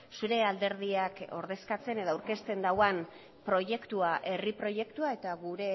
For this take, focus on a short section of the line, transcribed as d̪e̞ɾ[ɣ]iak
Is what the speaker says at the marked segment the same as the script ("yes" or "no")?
no